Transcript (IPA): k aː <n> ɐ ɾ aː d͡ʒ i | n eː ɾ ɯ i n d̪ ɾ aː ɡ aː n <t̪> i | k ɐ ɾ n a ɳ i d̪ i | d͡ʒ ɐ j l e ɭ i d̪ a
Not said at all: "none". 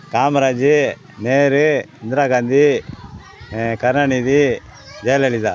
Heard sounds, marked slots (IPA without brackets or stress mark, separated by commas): m, d̪